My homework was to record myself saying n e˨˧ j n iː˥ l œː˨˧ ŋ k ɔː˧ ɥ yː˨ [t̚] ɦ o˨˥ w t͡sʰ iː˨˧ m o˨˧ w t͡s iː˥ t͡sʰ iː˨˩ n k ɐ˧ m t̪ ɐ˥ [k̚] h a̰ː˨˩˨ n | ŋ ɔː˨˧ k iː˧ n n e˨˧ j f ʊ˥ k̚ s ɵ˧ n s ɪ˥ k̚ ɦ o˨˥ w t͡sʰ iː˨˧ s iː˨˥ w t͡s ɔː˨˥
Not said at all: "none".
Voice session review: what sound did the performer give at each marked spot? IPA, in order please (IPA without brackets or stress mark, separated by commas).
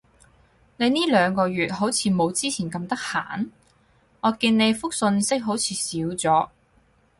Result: t̚, k̚